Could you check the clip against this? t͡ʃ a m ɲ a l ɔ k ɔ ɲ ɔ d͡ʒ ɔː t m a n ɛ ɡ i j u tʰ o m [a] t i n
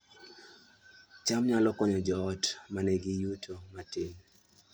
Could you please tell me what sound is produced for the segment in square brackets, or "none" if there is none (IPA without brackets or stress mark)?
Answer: a